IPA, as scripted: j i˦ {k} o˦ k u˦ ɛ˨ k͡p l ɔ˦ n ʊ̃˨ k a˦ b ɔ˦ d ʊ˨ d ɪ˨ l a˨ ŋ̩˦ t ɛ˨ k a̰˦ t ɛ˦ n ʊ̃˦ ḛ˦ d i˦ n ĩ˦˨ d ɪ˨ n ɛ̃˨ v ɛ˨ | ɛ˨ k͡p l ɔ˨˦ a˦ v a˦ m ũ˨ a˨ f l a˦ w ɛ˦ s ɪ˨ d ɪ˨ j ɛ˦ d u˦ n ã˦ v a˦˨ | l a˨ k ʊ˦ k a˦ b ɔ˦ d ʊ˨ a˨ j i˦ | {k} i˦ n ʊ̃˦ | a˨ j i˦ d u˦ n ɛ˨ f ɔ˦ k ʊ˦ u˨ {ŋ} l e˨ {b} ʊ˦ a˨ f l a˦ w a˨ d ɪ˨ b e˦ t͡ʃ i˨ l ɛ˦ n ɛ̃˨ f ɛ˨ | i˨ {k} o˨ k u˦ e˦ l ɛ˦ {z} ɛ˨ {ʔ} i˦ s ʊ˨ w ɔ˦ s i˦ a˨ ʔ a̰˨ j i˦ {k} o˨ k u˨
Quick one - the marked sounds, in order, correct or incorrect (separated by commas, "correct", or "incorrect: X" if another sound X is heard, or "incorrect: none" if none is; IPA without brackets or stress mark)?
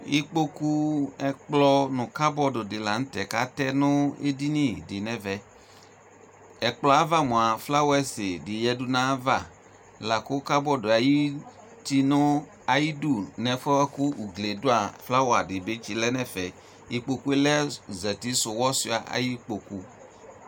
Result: incorrect: k͡p, incorrect: t, incorrect: ɡ, incorrect: d, incorrect: k͡p, correct, incorrect: t, incorrect: k͡p